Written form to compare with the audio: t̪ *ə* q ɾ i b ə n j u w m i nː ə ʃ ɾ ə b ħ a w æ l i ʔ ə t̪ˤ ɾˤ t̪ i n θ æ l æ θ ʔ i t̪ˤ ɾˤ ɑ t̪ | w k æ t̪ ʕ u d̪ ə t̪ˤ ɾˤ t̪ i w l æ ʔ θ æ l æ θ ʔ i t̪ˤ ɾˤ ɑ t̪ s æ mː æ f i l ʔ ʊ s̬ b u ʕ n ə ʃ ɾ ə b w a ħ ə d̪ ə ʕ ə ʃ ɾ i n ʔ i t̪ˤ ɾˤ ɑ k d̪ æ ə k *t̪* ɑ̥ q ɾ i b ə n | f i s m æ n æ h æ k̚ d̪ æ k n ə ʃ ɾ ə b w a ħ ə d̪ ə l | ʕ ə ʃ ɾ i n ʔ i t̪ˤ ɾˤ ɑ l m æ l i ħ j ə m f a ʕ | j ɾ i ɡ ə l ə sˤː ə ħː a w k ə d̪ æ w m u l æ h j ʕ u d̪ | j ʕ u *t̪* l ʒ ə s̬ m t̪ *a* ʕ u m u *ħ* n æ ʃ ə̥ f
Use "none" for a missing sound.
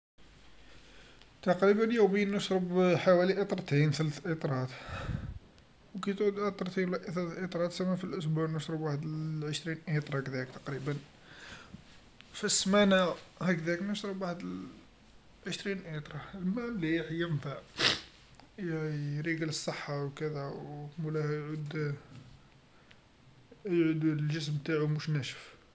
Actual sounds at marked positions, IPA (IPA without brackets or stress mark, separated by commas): ɑ, t̪, d̪, a, ʃ